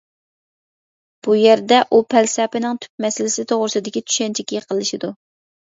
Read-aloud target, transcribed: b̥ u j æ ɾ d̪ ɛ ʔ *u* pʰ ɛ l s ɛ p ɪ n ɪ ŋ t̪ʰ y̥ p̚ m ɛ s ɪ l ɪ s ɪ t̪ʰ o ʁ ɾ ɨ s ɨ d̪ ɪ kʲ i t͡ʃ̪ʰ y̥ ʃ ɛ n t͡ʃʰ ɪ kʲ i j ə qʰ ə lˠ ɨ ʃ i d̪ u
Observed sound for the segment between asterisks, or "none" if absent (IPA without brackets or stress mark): u